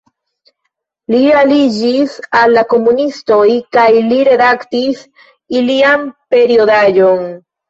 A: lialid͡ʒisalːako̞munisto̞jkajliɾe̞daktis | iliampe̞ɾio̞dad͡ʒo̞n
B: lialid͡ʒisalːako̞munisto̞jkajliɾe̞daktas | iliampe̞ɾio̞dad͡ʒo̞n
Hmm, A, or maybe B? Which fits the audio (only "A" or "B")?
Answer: A